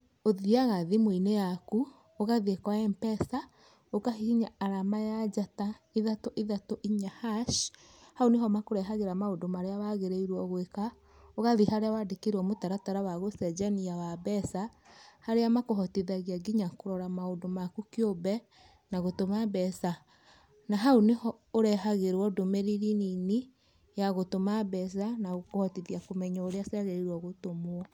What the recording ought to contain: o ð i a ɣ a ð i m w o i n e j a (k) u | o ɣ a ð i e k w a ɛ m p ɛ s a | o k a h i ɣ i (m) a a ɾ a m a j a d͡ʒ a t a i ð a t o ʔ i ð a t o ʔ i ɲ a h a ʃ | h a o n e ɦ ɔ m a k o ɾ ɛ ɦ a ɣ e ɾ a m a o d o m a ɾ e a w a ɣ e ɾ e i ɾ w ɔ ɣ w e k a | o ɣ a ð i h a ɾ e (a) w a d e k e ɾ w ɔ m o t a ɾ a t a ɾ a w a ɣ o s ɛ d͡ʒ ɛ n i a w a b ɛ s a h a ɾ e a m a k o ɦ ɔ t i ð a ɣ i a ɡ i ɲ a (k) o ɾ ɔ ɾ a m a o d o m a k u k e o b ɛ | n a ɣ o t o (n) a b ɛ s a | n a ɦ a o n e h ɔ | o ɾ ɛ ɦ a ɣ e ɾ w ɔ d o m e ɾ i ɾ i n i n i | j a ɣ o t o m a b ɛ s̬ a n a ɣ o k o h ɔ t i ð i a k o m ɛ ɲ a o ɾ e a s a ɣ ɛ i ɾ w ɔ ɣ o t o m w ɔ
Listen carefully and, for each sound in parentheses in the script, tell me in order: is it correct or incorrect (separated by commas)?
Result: correct, incorrect, correct, correct, incorrect